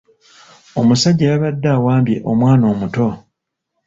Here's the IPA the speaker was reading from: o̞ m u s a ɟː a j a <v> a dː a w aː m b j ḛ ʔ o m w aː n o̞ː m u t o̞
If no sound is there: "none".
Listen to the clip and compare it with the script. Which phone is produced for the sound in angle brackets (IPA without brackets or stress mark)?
β